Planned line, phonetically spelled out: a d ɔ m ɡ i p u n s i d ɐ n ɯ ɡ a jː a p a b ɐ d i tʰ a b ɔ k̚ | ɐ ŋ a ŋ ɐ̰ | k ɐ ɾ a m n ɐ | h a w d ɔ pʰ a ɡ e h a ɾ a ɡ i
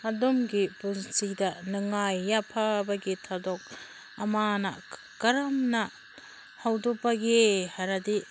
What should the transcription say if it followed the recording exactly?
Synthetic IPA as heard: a d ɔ m ɡ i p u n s i d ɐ n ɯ ŋ a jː a pʰ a b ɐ ɡ i tʰ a d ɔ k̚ | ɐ m a n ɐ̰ | k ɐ ɾ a m n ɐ | h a w d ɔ p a ɡ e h a ɾ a d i